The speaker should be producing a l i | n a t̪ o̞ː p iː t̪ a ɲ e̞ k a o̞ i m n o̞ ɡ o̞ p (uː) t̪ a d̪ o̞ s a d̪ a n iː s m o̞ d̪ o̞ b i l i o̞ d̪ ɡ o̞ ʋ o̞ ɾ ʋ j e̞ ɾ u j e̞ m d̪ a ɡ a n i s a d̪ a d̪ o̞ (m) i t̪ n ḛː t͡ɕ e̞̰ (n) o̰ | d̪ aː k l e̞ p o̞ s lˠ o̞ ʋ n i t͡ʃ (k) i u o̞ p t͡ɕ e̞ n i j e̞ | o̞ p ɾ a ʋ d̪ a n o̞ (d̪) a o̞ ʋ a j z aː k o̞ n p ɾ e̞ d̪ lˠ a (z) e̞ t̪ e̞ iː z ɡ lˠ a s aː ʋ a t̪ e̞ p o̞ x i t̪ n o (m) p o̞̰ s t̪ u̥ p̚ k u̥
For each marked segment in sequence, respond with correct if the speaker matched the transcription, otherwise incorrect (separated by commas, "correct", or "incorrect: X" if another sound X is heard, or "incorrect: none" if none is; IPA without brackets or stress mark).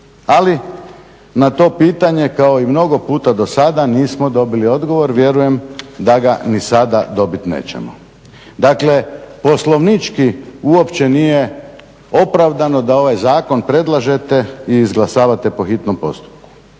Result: correct, incorrect: b, incorrect: m, correct, correct, incorrect: ʒ, correct